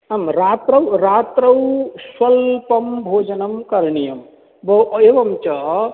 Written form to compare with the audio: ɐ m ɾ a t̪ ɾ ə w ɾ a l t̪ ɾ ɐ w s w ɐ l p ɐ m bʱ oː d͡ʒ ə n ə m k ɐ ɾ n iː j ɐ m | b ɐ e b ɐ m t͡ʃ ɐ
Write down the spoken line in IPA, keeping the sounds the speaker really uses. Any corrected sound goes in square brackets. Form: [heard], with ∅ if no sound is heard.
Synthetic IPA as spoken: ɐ m ɾ a t̪ ɾ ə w ɾ a [∅] t̪ ɾ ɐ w s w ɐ l p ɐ m bʱ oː d͡ʒ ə n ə m k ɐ ɾ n [i] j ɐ m | b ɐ e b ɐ m t͡ʃ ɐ